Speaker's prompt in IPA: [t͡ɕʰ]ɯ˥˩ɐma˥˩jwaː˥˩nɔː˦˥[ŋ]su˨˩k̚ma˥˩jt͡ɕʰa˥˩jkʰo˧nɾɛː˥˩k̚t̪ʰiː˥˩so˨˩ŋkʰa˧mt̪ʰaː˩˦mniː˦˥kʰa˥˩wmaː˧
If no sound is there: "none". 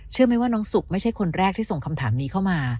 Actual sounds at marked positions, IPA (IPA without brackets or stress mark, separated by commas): t͡ɕʰ, ŋ